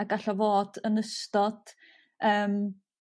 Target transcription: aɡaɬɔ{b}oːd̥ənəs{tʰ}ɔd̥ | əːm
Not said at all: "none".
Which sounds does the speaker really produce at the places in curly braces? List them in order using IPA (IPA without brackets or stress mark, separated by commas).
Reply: v, t